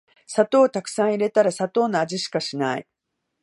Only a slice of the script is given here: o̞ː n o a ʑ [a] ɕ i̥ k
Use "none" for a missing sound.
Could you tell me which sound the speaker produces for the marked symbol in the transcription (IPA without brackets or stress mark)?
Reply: i